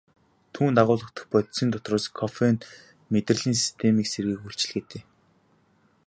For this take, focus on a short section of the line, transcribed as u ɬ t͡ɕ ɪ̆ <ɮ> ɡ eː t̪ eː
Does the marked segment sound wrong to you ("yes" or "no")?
no